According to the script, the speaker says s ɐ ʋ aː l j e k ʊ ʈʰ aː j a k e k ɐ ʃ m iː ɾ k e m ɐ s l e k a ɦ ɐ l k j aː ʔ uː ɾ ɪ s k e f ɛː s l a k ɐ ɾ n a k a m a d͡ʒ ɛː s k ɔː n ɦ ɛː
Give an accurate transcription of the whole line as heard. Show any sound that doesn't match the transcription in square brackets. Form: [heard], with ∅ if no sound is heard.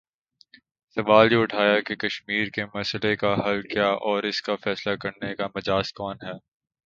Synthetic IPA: s ɐ ʋ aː l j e [∅] ʊ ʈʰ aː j a k e k ɐ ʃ m iː ɾ k e m ɐ s l e k a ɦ ɐ l k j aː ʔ [ɔː] ɾ ɪ s k [a] f ɛː s l a k ɐ ɾ n [e] k a m [ɐ] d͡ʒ [aː] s k ɔː n ɦ ɛː